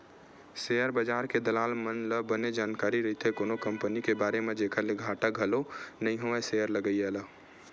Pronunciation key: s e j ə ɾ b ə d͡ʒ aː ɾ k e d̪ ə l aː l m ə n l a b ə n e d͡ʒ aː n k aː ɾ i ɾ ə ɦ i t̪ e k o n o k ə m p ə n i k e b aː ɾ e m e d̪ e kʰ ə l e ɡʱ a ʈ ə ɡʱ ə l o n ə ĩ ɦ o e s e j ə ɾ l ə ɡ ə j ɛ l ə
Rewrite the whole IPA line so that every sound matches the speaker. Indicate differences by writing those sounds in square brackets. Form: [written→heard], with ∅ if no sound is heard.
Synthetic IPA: s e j ə ɾ b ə d͡ʒ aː ɾ k e d̪ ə l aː l m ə n l [a→ə] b ə n e d͡ʒ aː n k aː ɾ i ɾ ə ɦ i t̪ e k o n o k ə m p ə n i k e b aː ɾ e m e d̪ e kʰ ə l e ɡʱ a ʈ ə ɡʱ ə l o n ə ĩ ɦ o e s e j ə ɾ l ə ɡ ə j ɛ l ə